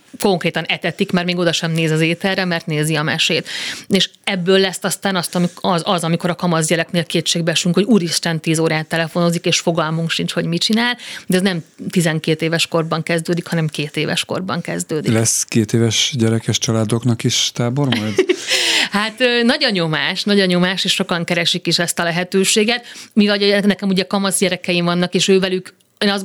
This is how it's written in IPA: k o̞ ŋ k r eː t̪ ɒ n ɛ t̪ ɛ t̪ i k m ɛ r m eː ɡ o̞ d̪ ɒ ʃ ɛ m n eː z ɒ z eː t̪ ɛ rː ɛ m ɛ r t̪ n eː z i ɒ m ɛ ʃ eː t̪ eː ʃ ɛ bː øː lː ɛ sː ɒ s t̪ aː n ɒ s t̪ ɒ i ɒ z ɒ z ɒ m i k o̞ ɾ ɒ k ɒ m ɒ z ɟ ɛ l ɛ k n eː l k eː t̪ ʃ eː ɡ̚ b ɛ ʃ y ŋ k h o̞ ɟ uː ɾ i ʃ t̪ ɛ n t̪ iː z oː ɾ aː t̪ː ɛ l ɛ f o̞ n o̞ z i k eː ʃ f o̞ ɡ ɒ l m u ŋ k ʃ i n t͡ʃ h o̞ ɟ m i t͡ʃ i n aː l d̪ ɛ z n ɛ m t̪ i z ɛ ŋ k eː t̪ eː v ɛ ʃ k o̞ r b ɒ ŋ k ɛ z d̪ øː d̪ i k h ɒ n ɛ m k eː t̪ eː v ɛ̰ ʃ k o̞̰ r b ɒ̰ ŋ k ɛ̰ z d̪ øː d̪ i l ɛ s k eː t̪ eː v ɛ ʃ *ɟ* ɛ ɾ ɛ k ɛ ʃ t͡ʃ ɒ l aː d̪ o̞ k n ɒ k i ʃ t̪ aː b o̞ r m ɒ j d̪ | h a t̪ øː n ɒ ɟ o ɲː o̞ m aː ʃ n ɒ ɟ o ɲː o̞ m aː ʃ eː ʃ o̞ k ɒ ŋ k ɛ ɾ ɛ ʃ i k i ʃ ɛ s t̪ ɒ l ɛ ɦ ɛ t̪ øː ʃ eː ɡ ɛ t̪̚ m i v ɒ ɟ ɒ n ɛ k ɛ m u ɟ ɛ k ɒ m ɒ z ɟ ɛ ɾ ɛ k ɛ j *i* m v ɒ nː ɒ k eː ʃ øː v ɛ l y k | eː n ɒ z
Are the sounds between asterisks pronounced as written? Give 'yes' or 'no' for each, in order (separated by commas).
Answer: yes, yes